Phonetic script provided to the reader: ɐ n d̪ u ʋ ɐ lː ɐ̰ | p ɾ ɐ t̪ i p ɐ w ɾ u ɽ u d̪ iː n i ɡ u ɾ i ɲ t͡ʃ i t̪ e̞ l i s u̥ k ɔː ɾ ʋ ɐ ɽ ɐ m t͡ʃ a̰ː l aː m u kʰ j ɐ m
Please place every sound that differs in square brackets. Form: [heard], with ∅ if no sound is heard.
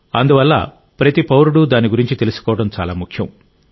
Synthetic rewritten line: ɐ n d̪ u ʋ ɐ lː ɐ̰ | p ɾ ɐ t̪ i p ɐ w ɾ u ɽ u d̪ [aː] n i ɡ u ɾ i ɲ t͡ʃ i t̪ e̞ l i s u̥ k ɔː [∅] ʋ ɐ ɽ ɐ m t͡ʃ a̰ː l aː m u kʰ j ɐ m

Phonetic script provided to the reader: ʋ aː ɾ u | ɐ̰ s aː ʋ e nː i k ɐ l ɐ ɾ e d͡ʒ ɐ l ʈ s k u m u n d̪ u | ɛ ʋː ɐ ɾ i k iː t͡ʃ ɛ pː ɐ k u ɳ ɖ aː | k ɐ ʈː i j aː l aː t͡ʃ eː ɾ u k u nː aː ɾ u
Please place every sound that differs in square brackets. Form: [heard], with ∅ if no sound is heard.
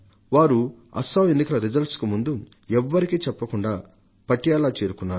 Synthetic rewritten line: ʋ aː ɾ u | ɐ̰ s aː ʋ e nː i k ɐ l ɐ ɾ [i] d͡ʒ ɐ l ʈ s k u m u n d̪ u | ɛ ʋː ɐ ɾ i k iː t͡ʃ ɛ pː ɐ k u ɳ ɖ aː | [p] ɐ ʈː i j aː l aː t͡ʃ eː ɾ u k u nː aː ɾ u

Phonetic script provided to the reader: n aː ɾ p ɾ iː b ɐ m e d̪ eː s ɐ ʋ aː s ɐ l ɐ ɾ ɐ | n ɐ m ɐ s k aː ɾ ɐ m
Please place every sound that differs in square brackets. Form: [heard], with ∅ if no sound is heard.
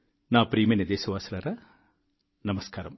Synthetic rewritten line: n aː [∅] p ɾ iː [m] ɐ [n] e d̪ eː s ɐ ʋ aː s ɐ l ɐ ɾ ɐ | n ɐ m ɐ s k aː ɾ ɐ m

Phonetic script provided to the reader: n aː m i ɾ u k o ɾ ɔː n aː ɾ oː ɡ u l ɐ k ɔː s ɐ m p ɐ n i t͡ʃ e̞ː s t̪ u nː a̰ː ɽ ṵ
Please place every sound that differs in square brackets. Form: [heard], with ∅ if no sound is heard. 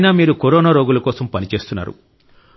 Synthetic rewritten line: n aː m [iː] ɾ u k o ɾ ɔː n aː ɾ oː ɡ u l ɐ k ɔː s ɐ m p ɐ n i t͡ʃ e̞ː s t̪ u nː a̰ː [ɾ] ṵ

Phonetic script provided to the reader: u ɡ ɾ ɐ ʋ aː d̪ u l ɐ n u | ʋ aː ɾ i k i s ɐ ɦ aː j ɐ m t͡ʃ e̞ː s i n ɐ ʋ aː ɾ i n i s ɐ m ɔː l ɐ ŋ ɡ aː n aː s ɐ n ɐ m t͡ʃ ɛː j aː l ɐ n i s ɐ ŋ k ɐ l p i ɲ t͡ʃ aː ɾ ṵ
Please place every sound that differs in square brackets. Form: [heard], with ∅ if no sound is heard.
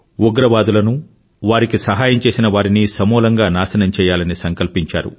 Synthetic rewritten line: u ɡ ɾ ɐ ʋ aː d̪ u l ɐ n u | ʋ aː ɾ i k i s ɐ ɦ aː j ɐ m t͡ʃ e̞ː s i n ɐ ʋ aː ɾ i n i s ɐ m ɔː l ɐ ŋ ɡ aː n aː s ɐ n ɐ m t͡ʃ ɛː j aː l ɐ n i s ɐ ŋ k ɐ l p i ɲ t͡ʃ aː ɾ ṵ

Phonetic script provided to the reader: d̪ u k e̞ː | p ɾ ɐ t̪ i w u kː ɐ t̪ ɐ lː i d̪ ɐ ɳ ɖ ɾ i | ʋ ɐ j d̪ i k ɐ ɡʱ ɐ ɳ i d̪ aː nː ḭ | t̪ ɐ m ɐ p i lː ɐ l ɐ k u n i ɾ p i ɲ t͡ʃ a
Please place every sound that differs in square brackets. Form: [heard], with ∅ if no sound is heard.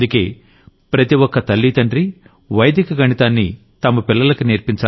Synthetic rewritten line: d̪ u k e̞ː | p ɾ ɐ t̪ i w [ɔ] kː ɐ t̪ ɐ lː i [t̪] ɐ ɳ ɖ ɾ i | ʋ ɐ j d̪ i k ɐ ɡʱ ɐ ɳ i [t̪] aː nː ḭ | t̪ ɐ m ɐ p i lː ɐ l ɐ k u n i ɾ p i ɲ t͡ʃ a

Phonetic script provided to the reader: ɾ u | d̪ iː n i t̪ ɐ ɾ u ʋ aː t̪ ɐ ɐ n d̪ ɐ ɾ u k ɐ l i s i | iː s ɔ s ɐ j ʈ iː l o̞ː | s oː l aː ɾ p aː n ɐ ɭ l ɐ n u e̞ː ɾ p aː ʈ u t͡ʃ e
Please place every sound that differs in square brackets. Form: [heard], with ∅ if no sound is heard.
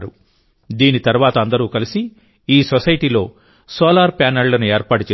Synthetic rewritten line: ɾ u | d̪ iː n i t̪ ɐ ɾ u ʋ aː t̪ ɐ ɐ n d̪ ɐ ɾ [uː] k ɐ l i s i | iː s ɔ s ɐ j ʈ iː l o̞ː | s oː l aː ɾ p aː n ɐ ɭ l ɐ n u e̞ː ɾ p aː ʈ u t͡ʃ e

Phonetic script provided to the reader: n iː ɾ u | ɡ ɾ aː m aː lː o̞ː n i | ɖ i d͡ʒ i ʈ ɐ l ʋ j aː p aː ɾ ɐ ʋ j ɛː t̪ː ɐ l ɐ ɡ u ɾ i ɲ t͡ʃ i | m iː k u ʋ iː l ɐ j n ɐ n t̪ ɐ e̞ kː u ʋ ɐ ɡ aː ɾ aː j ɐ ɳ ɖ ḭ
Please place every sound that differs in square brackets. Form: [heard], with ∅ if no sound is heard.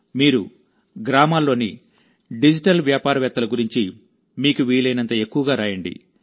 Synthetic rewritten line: [m] iː ɾ u | ɡ ɾ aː m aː lː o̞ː n i | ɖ i d͡ʒ i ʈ ɐ l ʋ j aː p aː ɾ ɐ ʋ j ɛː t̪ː ɐ l ɐ ɡ u ɾ i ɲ t͡ʃ i | m iː k u ʋ iː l ɐ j n ɐ n t̪ ɐ e̞ kː u ʋ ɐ ɡ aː ɾ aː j ɐ ɳ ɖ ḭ

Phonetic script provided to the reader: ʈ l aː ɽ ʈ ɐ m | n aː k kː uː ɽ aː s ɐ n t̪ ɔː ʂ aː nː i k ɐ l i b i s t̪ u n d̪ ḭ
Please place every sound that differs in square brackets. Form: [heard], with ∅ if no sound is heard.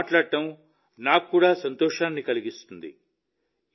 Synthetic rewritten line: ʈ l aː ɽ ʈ ɐ m | n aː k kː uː ɽ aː s ɐ n t̪ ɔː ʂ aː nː i k ɐ l i [ɡ] i s t̪ u n d̪ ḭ

